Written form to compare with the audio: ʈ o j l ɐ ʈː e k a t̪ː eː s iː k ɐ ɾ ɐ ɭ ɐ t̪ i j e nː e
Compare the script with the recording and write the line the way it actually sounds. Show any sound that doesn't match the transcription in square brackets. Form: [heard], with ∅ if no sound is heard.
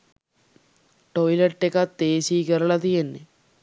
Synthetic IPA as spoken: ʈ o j l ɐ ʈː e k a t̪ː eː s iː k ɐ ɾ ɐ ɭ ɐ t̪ i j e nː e